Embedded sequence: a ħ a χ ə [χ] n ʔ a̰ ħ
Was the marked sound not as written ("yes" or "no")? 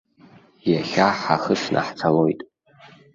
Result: yes